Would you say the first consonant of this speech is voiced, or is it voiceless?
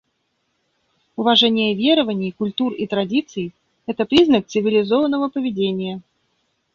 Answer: voiced